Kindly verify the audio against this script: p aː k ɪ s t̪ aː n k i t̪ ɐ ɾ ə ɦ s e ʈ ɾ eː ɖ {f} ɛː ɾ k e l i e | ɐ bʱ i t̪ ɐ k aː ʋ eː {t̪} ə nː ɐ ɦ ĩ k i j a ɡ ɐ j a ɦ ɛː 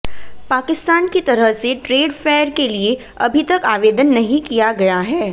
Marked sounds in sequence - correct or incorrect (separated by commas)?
correct, incorrect